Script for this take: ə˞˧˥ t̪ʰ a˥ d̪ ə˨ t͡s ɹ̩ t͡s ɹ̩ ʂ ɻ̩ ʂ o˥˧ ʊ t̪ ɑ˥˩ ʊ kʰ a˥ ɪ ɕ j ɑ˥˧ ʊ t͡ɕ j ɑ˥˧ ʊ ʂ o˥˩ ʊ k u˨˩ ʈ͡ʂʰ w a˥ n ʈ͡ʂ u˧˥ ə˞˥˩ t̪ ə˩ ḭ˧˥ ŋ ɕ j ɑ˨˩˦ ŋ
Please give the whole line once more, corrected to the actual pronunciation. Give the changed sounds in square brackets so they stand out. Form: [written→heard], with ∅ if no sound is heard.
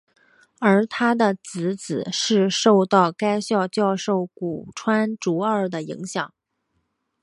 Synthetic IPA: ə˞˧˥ t̪ʰ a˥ d̪ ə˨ t͡s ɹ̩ t͡s ɹ̩ ʂ ɻ̩ ʂ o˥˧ ʊ t̪ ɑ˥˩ ʊ [kʰ→k] a˥ ɪ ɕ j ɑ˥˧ ʊ t͡ɕ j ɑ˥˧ ʊ ʂ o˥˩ ʊ k u˨˩ ʈ͡ʂʰ w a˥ n ʈ͡ʂ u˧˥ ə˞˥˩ [t̪→d̪] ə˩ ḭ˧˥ ŋ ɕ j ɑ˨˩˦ ŋ